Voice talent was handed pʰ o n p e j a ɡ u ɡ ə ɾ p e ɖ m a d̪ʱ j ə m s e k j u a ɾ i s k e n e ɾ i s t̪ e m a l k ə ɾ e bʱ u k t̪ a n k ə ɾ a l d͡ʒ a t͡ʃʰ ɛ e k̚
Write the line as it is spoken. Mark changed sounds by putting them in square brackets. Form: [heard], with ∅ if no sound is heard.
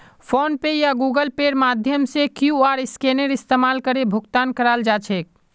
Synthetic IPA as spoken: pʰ o n p e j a ɡ u ɡ ə [l] p e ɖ m a d̪ʱ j ə m s e k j u a ɾ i s k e n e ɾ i s t̪ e m a l k ə ɾ e bʱ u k t̪ a n k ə ɾ a l d͡ʒ a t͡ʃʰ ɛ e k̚